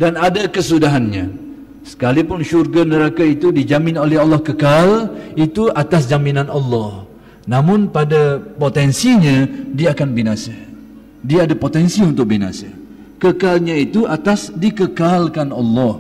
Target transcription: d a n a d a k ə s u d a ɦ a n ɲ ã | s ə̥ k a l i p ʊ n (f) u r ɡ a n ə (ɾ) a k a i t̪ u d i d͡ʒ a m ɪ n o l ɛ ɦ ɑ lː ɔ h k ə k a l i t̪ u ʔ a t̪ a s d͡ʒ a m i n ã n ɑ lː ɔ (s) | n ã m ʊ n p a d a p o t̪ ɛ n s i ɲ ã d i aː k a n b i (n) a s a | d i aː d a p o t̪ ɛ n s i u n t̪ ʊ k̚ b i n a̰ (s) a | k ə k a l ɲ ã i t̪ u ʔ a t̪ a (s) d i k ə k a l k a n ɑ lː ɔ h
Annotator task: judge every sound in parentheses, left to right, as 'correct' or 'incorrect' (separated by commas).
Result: incorrect, correct, incorrect, correct, correct, correct